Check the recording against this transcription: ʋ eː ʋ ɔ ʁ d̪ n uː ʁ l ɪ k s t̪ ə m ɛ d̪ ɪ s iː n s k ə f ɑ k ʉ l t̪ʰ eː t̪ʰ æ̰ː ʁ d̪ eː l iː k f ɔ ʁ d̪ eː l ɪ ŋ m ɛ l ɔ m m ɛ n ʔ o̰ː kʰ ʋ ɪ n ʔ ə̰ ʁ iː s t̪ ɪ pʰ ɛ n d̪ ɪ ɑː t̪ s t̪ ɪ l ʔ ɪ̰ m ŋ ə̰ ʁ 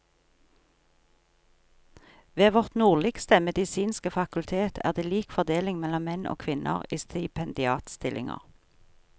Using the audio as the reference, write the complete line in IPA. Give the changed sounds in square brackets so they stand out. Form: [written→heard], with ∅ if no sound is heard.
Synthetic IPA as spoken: ʋ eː ʋ ɔ ʁ [d̪→t̪] n uː ʁ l ɪ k s t̪ ə m ɛ d̪ ɪ s iː n s k ə f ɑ k ʉ l t̪ʰ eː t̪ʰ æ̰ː ʁ d̪ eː l iː k f ɔ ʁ d̪ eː l ɪ ŋ m ɛ l ɔ m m ɛ n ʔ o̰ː kʰ ʋ ɪ n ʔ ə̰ ʁ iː s t̪ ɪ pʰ ɛ n d̪ ɪ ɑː t̪ s t̪ ɪ l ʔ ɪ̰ [m→∅] ŋ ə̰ ʁ